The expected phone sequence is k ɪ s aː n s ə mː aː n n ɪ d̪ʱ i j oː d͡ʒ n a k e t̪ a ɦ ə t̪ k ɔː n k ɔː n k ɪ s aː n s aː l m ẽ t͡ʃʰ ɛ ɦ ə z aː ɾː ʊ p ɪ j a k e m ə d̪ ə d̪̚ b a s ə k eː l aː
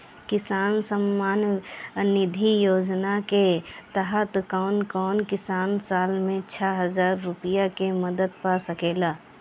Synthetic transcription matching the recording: k ɪ s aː n s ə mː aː n n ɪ d̪ʱ i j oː d͡ʒ n a k e t̪ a ɦ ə t̪ k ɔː n k ɔː n k ɪ s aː n s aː l m ẽ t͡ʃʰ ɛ ɦ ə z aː ɾː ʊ p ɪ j a k e m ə d̪ ə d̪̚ p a s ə k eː l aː